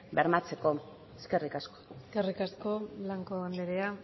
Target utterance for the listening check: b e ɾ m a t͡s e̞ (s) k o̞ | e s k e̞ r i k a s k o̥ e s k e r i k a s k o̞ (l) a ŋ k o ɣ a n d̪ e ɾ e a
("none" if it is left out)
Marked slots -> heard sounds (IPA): none, l

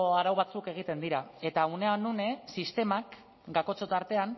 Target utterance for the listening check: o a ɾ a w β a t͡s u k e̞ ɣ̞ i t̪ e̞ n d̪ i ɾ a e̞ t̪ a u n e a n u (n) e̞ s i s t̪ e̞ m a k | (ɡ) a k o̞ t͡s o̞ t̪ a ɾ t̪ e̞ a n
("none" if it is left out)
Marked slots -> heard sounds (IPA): n, ɡ

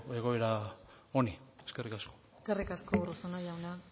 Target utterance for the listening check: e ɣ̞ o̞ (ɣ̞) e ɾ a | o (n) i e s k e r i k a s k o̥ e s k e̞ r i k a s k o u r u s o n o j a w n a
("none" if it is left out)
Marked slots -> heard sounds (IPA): none, n

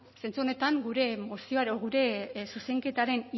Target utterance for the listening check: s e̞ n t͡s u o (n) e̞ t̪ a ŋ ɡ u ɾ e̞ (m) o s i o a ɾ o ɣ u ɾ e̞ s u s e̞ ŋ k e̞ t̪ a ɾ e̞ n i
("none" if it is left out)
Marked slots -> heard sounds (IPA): n, m

